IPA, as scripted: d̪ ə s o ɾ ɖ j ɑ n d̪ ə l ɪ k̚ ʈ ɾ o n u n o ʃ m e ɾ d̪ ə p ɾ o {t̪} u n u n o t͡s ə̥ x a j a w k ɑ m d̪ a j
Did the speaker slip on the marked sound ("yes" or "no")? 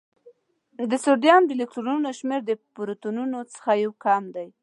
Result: no